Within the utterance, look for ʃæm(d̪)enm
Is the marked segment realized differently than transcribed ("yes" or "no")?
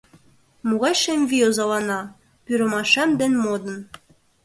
no